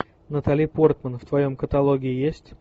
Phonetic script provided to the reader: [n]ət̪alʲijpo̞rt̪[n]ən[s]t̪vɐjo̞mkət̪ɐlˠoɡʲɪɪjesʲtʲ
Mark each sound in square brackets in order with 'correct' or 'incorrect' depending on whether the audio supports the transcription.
correct, incorrect: m, incorrect: f

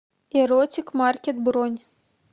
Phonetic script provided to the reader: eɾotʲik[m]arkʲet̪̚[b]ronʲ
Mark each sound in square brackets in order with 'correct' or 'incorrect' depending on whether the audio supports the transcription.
correct, correct

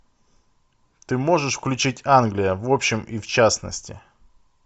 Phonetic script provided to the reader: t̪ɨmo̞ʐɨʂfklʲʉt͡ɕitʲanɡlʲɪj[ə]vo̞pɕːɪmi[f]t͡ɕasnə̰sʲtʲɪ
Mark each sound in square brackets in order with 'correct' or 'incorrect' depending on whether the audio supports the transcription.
correct, correct

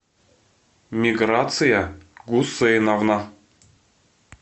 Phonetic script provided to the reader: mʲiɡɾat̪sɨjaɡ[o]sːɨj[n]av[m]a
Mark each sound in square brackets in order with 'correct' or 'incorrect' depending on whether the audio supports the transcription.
incorrect: u, correct, incorrect: n

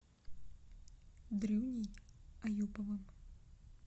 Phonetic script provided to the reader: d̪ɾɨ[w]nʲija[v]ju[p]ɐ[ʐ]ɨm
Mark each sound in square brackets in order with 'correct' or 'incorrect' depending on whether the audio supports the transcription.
correct, incorrect: none, correct, incorrect: v

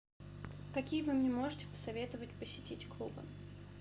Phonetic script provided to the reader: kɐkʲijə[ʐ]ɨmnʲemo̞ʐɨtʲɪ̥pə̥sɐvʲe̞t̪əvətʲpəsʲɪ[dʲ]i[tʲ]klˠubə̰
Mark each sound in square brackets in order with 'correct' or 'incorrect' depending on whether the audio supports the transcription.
incorrect: v, incorrect: tʲ, correct

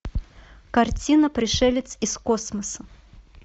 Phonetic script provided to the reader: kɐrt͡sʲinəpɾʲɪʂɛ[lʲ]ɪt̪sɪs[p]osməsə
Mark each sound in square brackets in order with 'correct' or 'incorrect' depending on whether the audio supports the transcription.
correct, incorrect: k

